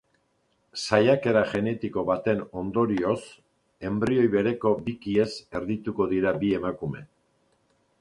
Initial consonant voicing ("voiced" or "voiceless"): voiceless